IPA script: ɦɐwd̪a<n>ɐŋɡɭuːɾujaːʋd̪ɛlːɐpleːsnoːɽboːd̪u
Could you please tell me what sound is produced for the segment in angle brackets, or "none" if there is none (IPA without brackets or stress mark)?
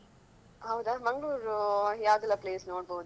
m